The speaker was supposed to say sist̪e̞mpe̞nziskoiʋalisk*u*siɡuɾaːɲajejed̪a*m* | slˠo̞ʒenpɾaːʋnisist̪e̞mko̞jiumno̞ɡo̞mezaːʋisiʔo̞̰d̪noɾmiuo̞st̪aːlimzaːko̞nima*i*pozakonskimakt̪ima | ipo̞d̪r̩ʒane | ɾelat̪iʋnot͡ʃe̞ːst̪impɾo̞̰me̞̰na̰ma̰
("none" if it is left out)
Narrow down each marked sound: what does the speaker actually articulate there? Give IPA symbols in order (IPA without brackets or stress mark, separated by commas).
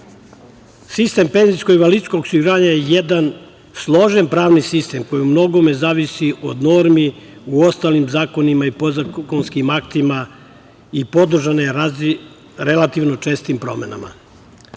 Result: o, n, i